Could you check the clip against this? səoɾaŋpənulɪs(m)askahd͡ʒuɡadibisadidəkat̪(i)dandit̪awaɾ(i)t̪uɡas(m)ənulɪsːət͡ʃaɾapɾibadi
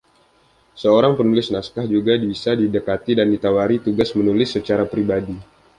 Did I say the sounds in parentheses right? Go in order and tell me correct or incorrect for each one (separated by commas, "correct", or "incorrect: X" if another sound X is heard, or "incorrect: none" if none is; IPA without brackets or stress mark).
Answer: incorrect: n, correct, correct, correct